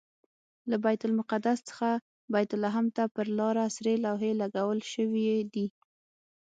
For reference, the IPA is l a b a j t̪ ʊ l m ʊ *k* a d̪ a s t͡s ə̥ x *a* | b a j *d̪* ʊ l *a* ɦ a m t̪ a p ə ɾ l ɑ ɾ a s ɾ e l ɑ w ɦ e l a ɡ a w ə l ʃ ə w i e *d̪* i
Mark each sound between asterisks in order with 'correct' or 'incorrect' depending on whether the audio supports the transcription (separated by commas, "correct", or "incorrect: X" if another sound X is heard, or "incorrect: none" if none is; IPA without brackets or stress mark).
incorrect: q, correct, incorrect: t̪, correct, correct